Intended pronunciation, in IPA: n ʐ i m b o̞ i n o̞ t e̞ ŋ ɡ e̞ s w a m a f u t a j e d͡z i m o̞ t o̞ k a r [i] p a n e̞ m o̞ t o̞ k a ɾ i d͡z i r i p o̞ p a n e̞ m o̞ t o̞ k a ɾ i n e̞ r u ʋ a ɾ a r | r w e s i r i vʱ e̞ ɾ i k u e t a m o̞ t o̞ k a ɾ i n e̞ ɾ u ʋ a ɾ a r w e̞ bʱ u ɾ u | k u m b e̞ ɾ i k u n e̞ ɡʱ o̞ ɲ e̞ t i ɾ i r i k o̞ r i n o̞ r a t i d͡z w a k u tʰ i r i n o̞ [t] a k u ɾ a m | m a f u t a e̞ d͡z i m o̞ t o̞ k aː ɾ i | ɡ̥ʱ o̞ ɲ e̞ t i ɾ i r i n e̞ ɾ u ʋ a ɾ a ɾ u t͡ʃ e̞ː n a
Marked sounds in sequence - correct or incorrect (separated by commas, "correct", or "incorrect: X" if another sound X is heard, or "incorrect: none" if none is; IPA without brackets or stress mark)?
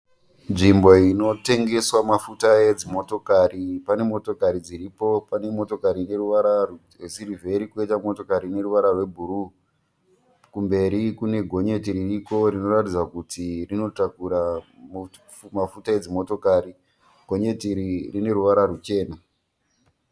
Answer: correct, correct